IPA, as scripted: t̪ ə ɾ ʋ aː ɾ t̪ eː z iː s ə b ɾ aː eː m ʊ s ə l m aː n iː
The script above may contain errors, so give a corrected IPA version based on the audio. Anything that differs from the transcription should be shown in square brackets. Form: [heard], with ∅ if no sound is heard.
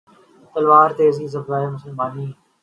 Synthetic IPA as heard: t̪ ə [l] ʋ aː ɾ t̪ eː z iː [z] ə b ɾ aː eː m ʊ s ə l m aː n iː